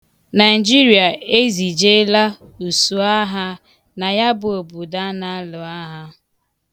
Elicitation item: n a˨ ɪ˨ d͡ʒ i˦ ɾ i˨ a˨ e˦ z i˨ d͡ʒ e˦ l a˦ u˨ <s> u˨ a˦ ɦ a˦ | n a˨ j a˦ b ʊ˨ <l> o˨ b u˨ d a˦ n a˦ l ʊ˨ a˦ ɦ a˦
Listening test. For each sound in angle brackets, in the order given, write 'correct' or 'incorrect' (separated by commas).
correct, incorrect